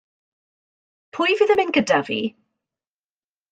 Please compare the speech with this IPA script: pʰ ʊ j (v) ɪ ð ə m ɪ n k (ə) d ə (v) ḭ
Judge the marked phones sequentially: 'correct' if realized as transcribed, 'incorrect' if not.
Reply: correct, correct, correct

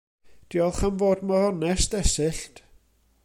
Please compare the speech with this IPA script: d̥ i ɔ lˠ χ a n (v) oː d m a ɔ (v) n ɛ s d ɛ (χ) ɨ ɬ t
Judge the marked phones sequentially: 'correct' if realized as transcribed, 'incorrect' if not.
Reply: correct, incorrect: none, incorrect: s

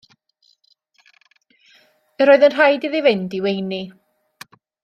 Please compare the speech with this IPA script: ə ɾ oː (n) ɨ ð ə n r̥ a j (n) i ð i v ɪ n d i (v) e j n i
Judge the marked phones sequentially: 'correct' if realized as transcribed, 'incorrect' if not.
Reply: incorrect: none, incorrect: d, incorrect: w

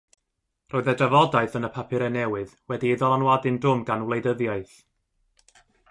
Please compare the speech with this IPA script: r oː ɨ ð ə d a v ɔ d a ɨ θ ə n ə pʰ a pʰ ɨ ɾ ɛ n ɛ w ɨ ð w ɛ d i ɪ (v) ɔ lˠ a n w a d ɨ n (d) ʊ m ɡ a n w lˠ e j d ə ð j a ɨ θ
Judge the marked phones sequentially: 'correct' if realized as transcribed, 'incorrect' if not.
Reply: incorrect: ð, correct

